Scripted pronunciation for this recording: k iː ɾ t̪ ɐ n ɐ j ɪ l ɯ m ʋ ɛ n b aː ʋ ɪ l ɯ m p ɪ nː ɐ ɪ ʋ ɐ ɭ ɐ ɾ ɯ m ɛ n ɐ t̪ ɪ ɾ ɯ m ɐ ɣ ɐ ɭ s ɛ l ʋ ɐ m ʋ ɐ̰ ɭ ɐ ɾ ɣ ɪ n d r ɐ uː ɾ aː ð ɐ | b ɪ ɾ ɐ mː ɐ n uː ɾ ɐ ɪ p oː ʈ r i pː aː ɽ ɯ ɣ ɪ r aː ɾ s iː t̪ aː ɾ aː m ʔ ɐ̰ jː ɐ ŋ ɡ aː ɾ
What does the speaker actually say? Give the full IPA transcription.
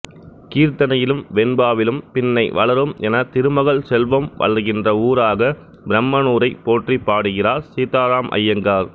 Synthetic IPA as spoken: k iː ɾ t̪ ɐ n ɐ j ɪ l ɯ m ʋ ɛ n b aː ʋ ɪ l ɯ m p ɪ nː ɐ ɪ ʋ ɐ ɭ ɐ ɾ ɯ m ɛ n ɐ t̪ ɪ ɾ ɯ m ɐ ɣ ɐ ɭ s ɛ l ʋ ɐ m ʋ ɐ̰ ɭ ɐ ɾ ɣ ɪ n d r ɐ uː ɾ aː ɣ ɐ | b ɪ ɾ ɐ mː ɐ n uː ɾ ɐ ɪ p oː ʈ r i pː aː ɽ ɯ ɣ ɪ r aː ɾ s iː t̪ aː ɾ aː m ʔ ɐ̰ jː ɐ ŋ ɡ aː ɾ